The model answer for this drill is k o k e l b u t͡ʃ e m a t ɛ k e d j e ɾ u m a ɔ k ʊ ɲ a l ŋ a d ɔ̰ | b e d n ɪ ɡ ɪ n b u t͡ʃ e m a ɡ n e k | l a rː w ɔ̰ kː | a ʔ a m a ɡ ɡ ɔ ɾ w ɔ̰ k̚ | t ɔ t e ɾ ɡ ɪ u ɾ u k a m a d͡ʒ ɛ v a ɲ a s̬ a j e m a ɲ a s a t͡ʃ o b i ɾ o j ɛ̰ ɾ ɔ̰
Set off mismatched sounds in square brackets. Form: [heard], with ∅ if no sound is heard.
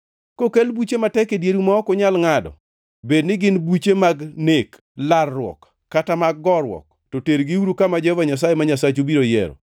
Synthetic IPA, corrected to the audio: k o k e l b u t͡ʃ e m a t ɛ k e d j e ɾ u m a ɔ k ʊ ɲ a l ŋ a d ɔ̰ | b e d n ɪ ɡ ɪ n b u t͡ʃ e m a ɡ n e k | l a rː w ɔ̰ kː | a [t] a m a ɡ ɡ ɔ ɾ w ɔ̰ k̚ | t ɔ t e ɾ ɡ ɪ u ɾ u k a m a d͡ʒ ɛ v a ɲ a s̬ a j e m a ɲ a s a t͡ʃ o b i ɾ o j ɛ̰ ɾ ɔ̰